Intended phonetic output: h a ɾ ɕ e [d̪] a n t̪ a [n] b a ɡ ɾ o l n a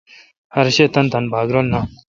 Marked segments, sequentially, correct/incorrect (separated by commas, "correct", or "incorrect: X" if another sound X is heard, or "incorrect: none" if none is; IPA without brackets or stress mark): incorrect: t̪, correct